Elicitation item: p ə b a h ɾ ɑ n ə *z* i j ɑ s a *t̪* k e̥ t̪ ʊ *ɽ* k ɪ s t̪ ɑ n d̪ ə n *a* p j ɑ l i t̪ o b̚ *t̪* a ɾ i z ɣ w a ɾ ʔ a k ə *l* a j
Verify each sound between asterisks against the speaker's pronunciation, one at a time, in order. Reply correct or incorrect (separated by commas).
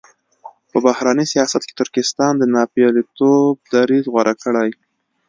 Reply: incorrect, correct, incorrect, incorrect, incorrect, incorrect